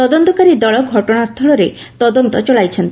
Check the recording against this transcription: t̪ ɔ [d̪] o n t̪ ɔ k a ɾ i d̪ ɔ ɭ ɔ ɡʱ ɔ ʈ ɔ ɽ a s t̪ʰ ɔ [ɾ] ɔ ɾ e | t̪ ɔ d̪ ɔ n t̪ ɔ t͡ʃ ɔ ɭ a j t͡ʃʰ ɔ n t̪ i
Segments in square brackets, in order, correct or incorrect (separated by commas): correct, incorrect